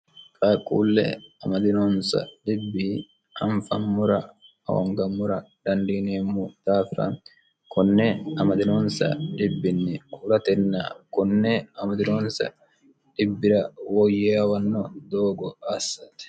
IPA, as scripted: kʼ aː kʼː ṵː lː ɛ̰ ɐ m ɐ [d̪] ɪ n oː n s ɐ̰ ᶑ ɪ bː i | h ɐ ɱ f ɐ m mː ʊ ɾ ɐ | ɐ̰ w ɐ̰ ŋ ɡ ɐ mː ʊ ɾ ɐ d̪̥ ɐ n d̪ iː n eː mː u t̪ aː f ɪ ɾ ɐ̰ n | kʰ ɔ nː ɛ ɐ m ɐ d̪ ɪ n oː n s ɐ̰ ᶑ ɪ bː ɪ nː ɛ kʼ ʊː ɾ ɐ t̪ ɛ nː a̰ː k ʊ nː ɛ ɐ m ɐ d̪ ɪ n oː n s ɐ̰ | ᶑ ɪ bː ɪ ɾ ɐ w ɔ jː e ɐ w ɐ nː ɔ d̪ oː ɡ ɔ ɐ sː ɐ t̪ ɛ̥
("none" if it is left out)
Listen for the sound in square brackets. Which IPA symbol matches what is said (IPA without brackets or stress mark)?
d̪